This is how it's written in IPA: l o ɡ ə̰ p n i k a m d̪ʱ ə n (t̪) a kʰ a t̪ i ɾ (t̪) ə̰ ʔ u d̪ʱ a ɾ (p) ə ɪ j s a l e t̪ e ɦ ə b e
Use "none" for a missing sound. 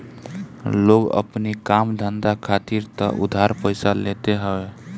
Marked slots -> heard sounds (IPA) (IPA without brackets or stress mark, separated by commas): d̪, t̪, p